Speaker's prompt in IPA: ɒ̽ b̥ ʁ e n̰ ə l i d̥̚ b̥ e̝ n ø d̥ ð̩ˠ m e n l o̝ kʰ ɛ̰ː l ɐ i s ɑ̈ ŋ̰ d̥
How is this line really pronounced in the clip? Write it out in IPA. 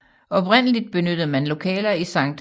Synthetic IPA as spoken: ɒ̽ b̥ ʁ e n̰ ə l i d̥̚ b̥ e̝ n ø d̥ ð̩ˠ m æ n l o̝ kʰ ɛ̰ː l ɐ i s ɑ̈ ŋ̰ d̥